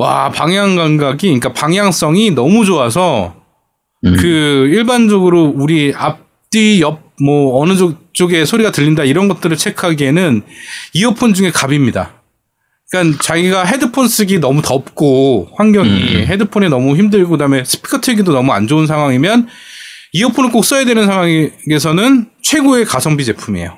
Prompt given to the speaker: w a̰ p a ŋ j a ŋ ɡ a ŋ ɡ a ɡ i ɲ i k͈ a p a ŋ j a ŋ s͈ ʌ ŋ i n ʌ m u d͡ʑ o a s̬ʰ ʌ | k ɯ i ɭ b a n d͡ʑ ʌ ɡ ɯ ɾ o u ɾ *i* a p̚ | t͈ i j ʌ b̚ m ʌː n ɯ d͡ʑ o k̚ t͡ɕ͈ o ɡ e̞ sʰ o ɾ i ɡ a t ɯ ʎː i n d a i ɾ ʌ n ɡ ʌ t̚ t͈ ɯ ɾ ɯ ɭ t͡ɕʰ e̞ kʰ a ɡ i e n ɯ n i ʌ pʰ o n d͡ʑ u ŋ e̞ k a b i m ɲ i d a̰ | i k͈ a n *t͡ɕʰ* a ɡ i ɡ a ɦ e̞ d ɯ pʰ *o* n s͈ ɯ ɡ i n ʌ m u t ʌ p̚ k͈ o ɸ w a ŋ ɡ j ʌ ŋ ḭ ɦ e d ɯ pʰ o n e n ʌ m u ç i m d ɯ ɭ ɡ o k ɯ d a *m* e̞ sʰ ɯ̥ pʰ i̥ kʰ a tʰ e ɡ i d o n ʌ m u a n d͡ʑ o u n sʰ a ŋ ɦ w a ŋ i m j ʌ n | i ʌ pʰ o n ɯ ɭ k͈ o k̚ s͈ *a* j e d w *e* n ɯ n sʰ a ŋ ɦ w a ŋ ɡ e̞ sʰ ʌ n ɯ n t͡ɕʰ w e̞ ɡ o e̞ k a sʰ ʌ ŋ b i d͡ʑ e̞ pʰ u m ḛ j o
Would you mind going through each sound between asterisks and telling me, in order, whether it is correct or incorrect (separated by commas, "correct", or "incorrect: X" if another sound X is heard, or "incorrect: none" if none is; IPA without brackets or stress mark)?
correct, incorrect: t͡ɕ, correct, correct, incorrect: ʌ, correct